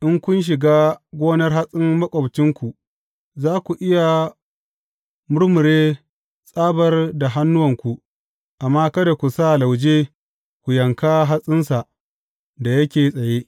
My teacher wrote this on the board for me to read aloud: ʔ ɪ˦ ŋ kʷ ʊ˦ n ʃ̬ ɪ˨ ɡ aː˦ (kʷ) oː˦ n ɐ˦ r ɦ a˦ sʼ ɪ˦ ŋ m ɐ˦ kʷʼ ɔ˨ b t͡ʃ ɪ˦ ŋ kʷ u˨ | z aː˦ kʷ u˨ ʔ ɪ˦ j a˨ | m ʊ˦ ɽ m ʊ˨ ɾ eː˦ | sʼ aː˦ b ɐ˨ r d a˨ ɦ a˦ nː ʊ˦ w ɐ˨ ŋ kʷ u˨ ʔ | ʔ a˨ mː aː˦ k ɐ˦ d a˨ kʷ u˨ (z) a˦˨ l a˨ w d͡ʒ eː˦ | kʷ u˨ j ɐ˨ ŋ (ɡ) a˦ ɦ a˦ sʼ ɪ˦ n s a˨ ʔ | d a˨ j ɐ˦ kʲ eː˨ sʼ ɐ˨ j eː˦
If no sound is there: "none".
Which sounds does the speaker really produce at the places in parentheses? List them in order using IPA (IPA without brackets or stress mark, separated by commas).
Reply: ɡʷ, s, k